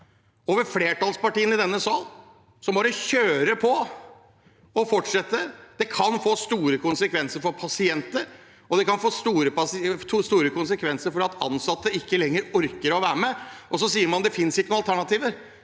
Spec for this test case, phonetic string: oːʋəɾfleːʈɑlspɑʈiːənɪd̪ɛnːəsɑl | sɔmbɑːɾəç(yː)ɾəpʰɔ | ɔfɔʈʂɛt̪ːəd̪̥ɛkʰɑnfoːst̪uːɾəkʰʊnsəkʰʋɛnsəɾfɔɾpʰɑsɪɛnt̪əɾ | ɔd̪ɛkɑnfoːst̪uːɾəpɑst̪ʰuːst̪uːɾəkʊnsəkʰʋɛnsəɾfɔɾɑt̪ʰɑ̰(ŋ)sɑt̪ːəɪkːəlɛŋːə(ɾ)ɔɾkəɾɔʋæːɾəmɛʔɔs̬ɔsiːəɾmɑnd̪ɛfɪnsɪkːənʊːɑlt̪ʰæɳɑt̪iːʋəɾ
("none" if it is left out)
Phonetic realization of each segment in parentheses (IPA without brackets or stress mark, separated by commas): øː, n, ɾ